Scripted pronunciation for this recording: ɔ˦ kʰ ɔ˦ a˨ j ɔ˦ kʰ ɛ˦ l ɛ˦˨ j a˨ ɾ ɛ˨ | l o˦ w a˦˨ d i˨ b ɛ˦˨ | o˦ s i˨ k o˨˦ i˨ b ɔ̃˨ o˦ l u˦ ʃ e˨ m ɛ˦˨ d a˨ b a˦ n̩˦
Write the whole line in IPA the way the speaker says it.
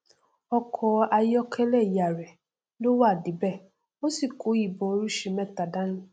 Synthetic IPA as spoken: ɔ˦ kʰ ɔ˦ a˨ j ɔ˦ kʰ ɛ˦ l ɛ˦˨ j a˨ ɾ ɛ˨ | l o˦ w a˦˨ d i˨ b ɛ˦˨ | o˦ s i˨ k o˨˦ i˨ b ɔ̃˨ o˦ ɾ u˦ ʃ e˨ m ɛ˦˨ t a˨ d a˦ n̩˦